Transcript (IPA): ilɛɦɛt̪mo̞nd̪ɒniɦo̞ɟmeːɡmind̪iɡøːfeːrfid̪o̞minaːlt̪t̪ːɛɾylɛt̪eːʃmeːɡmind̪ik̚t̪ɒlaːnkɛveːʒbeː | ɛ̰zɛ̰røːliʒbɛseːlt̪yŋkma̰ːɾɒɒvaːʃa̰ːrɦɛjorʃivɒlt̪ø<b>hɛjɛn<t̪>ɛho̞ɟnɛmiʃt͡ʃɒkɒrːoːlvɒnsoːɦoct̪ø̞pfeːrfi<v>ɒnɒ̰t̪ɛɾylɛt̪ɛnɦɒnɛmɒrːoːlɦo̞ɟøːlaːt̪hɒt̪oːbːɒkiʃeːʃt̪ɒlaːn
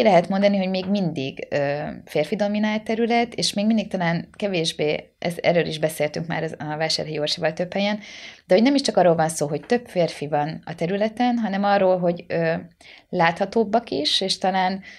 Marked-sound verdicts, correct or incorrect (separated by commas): incorrect, incorrect, correct